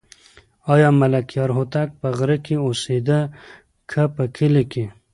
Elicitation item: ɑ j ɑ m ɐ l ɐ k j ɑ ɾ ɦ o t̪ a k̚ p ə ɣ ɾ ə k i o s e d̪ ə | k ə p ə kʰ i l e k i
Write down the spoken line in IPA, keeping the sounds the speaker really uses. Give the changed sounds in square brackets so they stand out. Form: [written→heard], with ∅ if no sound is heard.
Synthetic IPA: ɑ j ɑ m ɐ l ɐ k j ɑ ɾ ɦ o t̪ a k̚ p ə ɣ ɾ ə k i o s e d̪ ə | [k→kʰ] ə p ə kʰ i l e k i